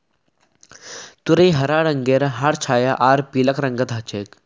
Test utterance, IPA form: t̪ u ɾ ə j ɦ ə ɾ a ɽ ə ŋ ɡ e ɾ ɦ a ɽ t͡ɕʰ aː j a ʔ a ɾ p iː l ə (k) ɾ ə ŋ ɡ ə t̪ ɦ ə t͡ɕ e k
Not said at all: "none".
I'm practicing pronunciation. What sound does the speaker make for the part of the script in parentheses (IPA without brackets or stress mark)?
k